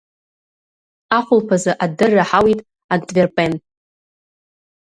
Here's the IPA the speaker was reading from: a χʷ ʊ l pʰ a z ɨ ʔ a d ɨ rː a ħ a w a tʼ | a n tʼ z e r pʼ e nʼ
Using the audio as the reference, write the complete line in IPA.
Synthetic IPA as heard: a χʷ ʊ l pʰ a z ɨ ʔ a d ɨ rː a ħ a w i tʼ | a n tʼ v e r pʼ e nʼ